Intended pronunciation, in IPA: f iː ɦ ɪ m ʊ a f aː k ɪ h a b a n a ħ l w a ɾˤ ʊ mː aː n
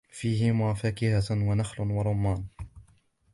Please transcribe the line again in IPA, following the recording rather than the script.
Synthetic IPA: f iː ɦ ɪ m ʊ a f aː k ɪ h a w a n a x l w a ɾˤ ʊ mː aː n